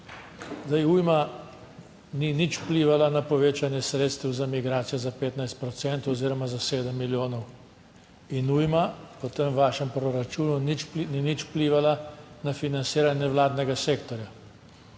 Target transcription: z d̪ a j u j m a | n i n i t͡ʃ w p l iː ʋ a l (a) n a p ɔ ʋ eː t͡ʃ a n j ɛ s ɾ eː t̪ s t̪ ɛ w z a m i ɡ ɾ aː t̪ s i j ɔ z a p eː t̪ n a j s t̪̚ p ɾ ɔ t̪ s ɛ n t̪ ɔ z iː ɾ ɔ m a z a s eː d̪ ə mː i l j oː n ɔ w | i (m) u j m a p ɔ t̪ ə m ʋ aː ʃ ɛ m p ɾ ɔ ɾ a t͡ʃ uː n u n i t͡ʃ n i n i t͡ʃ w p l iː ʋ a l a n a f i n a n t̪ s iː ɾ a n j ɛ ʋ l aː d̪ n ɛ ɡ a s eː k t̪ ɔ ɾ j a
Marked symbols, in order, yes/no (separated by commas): yes, no